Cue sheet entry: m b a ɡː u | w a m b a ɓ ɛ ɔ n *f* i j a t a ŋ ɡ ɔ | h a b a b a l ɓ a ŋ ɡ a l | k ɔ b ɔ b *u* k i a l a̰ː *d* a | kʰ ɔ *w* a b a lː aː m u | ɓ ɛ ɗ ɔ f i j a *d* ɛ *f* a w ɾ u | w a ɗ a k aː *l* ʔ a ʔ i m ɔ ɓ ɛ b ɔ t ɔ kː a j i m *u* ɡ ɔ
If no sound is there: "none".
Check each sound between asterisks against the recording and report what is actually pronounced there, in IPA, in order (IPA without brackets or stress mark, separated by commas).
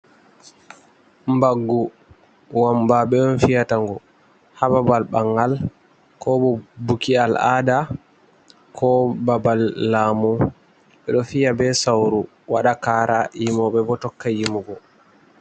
f, u, d, b, b, s, ɾ, u